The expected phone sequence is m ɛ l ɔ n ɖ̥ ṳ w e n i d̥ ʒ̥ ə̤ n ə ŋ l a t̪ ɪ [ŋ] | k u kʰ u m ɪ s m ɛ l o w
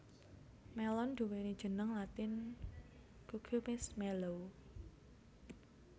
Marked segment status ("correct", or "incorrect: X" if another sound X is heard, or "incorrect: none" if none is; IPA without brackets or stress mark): incorrect: n